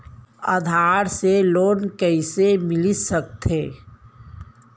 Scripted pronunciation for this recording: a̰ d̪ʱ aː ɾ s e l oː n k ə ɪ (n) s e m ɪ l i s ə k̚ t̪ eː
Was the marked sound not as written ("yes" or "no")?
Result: yes